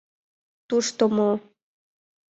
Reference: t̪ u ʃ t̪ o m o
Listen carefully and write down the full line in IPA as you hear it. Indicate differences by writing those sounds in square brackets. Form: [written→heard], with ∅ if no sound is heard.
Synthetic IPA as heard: t̪ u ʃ t̪ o m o